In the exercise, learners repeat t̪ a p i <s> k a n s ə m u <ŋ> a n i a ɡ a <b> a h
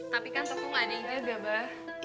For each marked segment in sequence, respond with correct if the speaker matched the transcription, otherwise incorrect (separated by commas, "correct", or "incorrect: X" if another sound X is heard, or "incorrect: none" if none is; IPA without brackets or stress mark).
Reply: incorrect: none, correct, correct